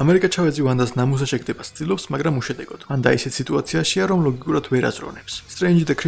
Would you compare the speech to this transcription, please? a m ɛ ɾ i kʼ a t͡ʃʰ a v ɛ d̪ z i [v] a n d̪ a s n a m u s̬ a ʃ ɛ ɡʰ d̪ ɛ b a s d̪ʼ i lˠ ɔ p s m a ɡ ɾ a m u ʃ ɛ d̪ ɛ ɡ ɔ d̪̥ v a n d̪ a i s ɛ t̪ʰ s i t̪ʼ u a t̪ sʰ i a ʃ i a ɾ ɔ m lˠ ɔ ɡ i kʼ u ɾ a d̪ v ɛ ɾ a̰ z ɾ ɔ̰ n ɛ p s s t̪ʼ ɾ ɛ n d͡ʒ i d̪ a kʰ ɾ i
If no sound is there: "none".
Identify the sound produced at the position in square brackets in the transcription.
v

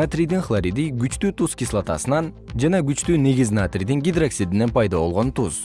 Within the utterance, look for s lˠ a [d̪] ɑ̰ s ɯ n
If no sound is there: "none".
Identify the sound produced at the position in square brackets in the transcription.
t̪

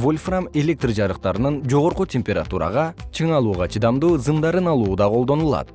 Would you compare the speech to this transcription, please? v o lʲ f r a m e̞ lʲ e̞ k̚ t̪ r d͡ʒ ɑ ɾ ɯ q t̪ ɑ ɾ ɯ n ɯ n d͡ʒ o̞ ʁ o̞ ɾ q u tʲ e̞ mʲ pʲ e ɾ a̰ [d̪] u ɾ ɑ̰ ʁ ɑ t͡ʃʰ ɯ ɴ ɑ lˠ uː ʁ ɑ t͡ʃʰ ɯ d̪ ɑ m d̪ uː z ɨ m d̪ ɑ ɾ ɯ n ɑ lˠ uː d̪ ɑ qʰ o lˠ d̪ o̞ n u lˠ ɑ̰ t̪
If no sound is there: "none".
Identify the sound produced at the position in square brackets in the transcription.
t̪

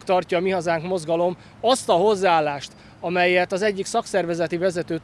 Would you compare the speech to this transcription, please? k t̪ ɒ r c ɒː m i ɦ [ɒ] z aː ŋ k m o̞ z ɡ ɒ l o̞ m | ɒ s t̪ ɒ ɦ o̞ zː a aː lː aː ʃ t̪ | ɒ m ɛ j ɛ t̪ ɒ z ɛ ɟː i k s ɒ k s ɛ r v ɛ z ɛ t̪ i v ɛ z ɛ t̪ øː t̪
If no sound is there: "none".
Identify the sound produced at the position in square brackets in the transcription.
ɒ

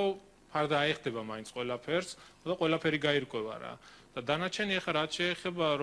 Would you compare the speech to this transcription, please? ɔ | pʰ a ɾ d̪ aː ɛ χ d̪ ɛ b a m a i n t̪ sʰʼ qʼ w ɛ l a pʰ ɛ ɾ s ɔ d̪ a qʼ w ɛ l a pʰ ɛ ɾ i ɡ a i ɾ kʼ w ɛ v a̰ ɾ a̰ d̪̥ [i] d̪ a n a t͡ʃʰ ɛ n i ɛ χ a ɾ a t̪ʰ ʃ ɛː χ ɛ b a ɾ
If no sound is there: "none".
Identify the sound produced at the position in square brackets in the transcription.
a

